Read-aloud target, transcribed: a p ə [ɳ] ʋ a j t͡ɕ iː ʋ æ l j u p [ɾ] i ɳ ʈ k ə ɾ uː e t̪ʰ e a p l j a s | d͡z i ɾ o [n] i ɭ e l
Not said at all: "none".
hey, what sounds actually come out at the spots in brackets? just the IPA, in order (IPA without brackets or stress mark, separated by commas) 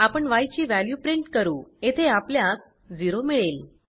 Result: ɳ, ɾ, m